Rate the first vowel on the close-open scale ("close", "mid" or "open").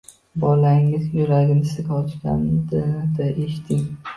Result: open